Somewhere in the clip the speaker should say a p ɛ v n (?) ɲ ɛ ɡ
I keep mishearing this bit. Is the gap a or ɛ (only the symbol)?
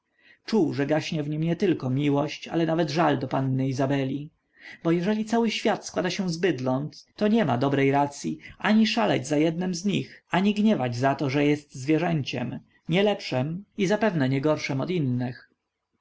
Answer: ɛ